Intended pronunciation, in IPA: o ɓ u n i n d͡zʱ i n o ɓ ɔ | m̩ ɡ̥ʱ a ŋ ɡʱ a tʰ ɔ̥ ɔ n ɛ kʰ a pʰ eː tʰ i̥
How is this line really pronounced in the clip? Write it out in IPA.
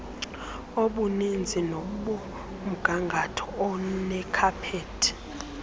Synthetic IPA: o ɓ u n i n d͡zʱ i n o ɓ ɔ | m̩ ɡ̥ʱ a ŋ ɡʱ a tʰ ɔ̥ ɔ n ɛ kʰ a pʰ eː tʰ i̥